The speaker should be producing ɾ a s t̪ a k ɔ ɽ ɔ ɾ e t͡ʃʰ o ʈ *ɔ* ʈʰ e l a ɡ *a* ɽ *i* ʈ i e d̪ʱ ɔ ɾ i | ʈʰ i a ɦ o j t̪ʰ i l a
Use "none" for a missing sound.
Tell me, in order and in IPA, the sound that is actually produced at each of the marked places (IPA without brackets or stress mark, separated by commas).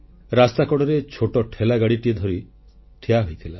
ɔ, a, i